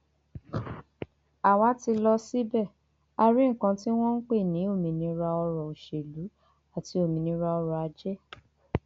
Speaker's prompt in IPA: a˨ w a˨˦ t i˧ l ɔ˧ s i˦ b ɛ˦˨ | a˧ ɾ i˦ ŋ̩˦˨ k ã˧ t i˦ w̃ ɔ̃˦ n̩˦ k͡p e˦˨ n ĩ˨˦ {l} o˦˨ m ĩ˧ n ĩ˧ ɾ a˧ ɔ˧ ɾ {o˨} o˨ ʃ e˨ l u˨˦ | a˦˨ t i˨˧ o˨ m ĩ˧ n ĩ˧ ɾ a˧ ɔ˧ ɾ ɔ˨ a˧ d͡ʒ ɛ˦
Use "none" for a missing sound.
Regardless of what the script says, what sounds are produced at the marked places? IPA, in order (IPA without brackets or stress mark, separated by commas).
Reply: none, ɔ˨